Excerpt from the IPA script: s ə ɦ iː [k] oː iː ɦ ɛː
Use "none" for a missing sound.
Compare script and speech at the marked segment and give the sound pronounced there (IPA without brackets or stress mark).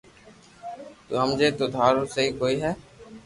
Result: k